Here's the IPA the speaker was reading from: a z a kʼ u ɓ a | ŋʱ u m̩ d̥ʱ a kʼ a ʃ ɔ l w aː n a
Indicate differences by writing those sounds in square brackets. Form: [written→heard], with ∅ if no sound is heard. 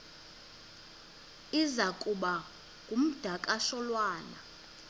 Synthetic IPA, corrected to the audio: [a→i] z a kʼ u ɓ a | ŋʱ u m̩ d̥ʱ a kʼ a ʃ ɔ l w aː n a